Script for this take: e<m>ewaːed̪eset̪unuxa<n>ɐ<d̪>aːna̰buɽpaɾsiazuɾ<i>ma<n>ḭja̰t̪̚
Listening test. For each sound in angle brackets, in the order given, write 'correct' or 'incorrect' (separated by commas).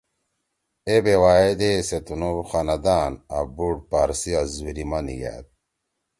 incorrect, correct, correct, correct, correct